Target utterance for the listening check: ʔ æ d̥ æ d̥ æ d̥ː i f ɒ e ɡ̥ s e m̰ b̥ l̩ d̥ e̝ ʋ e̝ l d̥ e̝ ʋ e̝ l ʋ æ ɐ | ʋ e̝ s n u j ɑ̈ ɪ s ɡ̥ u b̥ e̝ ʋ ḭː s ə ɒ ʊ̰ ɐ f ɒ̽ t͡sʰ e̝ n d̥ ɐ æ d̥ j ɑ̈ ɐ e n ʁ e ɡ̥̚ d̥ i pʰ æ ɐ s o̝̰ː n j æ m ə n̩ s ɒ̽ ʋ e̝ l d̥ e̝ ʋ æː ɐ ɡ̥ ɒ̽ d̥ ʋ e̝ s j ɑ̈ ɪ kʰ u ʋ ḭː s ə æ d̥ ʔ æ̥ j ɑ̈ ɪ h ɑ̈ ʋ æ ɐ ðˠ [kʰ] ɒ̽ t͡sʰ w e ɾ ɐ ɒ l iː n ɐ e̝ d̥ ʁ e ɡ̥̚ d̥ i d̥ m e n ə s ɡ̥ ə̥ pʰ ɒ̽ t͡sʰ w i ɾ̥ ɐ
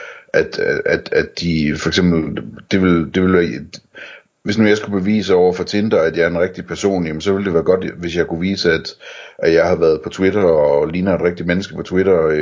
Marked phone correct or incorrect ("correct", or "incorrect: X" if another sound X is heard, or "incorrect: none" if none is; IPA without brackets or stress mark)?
incorrect: pʰ